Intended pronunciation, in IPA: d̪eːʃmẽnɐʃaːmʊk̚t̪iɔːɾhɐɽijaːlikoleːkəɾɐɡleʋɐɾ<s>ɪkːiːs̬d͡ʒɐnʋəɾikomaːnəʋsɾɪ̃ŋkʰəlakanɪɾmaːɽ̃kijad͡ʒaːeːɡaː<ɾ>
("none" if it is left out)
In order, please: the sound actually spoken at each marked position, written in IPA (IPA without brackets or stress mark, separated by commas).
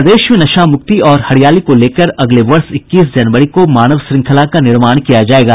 s, none